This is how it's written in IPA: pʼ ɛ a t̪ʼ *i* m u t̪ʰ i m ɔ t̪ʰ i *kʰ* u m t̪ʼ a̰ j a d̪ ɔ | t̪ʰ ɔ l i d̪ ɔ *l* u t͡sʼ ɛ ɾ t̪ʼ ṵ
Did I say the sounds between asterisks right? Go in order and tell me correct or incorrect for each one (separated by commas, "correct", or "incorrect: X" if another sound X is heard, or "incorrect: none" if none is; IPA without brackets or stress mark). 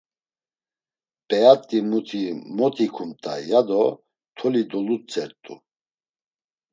correct, correct, correct